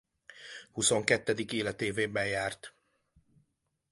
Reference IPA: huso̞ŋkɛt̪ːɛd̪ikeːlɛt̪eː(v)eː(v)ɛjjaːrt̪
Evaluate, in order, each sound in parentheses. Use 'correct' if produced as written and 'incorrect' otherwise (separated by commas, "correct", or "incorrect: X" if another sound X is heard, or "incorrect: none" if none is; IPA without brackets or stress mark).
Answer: correct, incorrect: b